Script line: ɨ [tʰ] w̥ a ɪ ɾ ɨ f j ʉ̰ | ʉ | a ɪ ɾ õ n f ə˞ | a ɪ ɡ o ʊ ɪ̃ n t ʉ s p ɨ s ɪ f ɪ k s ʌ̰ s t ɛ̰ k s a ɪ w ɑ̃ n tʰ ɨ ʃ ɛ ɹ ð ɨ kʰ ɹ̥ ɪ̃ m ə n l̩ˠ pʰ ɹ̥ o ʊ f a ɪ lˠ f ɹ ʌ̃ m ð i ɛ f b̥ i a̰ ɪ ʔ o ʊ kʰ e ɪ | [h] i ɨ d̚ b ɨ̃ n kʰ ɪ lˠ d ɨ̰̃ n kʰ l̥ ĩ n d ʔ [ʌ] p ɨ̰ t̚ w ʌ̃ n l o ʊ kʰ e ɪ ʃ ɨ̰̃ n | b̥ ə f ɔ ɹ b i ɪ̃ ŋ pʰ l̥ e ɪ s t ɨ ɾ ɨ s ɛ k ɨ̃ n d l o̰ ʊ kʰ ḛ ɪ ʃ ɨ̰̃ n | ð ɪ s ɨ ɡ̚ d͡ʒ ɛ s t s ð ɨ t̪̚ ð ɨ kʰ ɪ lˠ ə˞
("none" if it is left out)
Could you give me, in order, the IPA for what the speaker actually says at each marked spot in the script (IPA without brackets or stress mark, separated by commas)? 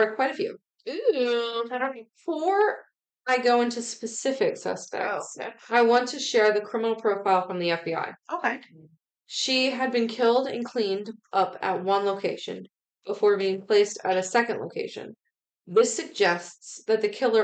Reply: kʰ, ʃ, ʌ